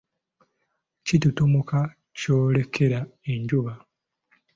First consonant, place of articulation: palatal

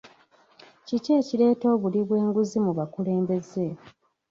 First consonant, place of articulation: palatal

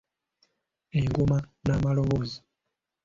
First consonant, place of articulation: velar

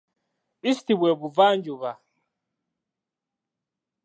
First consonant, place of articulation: alveolar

